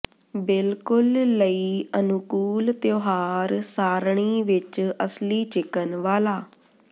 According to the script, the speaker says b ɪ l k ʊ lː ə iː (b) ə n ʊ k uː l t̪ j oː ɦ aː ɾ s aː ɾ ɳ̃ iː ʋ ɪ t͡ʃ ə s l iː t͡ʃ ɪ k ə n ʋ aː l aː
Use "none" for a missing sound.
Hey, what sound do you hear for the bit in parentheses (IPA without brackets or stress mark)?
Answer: none